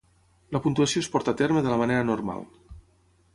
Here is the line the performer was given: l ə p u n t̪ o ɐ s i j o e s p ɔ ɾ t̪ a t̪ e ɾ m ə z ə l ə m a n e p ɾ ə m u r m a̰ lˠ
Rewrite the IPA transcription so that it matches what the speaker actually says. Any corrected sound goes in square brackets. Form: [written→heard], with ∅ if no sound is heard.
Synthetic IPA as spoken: l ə p u n t̪ [o→u] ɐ s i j o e s p ɔ ɾ t̪ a t̪ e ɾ m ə [z→ð] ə l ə m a n e [p→∅] ɾ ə [m→n] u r m a̰ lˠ